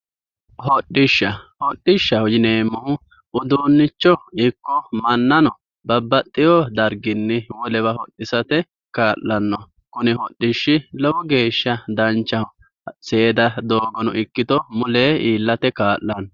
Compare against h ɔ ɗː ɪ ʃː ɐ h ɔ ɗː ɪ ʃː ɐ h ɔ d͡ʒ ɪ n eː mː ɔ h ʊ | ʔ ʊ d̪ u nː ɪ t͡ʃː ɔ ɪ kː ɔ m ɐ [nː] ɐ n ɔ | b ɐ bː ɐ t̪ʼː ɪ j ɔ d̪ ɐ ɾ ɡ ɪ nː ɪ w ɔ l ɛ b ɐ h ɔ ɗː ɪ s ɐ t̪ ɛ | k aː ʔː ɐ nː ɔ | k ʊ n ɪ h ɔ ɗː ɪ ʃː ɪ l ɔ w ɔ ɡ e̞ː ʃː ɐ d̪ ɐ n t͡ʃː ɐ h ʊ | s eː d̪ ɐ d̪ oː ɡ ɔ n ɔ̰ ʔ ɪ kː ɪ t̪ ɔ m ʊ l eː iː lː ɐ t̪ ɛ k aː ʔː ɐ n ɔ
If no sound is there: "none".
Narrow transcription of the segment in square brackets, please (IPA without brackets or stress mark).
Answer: nː